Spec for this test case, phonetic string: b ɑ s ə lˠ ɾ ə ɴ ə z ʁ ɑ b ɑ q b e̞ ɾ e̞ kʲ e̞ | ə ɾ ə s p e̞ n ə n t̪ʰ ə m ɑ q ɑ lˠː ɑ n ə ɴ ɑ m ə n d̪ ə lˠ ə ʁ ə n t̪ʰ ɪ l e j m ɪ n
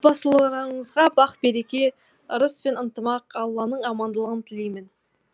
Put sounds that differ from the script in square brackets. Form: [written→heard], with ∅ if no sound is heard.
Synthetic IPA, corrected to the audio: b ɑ s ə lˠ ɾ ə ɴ ə z ʁ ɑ b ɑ q b e̞ ɾ e̞ kʲ e̞ | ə ɾ ə s p e̞ n ə n [t̪ʰ→t̪] ə m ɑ q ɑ lˠː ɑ n ə ɴ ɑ m [ə→ɑ] n d̪ ə lˠ ə ʁ ə n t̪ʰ ɪ l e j m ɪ n